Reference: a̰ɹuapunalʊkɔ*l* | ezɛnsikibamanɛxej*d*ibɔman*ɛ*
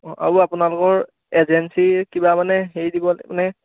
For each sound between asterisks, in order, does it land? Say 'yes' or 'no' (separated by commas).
no, yes, yes